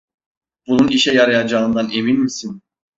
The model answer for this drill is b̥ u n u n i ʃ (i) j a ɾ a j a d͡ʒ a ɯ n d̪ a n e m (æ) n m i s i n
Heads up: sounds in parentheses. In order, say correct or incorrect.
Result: incorrect: ɛ, incorrect: i

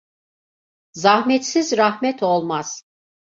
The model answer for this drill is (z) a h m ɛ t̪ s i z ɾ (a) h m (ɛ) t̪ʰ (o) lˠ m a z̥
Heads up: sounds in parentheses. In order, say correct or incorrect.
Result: correct, correct, correct, correct

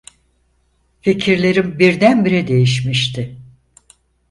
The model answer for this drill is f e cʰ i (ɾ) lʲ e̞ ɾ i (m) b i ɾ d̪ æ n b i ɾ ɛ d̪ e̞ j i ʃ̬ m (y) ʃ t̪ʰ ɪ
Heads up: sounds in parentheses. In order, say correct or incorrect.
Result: correct, correct, incorrect: i

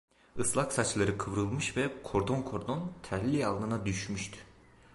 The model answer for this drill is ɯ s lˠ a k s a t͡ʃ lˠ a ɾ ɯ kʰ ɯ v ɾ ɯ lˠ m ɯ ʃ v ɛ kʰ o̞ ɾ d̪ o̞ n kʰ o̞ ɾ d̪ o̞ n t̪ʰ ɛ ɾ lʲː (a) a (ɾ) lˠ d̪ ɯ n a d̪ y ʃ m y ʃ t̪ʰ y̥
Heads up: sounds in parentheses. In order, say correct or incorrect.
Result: incorrect: i, incorrect: none

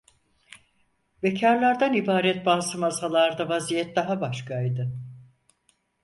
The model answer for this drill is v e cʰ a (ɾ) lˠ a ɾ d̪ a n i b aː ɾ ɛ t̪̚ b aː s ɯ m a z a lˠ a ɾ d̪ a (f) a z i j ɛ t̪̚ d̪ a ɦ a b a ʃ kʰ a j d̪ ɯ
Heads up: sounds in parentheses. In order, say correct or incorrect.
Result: correct, incorrect: v

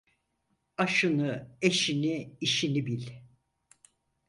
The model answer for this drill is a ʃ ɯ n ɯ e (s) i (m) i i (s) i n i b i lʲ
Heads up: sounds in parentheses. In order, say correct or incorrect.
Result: incorrect: ʃ, incorrect: n, incorrect: ʃ

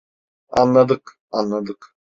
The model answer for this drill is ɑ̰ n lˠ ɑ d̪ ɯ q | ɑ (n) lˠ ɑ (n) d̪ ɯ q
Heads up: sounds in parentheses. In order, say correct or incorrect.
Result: correct, incorrect: none

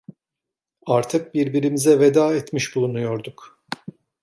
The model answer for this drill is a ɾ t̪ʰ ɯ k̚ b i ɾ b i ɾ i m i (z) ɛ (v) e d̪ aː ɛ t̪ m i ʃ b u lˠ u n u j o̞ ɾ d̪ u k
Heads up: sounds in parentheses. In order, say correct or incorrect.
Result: correct, correct

